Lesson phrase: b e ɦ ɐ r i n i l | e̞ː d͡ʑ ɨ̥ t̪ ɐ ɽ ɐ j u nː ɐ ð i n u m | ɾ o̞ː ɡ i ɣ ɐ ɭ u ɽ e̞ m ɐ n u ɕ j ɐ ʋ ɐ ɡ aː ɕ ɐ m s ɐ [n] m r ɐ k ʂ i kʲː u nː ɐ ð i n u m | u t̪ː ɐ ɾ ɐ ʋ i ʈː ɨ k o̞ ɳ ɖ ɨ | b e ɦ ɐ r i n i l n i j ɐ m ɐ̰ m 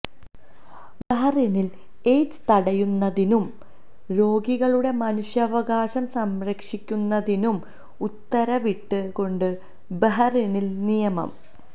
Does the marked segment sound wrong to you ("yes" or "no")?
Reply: yes